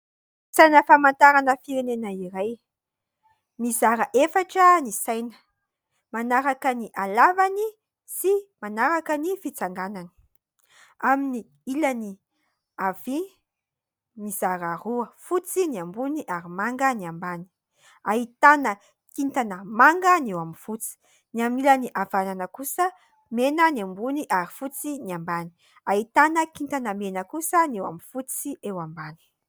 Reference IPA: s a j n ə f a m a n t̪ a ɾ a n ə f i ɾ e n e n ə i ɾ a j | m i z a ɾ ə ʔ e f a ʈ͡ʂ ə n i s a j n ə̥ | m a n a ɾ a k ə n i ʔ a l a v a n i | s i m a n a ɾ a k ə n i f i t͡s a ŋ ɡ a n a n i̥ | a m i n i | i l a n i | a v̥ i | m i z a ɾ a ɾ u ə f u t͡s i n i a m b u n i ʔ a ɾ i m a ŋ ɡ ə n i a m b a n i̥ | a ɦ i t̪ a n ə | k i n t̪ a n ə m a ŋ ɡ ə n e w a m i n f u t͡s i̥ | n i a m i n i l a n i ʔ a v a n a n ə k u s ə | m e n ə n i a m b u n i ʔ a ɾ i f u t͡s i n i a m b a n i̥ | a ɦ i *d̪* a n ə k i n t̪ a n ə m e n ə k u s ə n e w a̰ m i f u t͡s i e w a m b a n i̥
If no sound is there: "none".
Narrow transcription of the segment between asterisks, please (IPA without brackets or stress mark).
t̪